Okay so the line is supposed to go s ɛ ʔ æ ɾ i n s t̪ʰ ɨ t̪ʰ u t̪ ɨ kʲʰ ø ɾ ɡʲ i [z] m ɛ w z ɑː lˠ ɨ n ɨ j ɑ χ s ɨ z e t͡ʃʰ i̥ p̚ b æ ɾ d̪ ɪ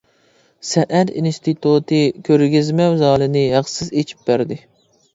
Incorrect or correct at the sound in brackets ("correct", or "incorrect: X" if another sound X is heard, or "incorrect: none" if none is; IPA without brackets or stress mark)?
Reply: correct